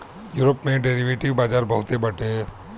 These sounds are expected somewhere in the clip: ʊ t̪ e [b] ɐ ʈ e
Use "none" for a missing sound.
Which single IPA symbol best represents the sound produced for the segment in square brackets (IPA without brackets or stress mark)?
b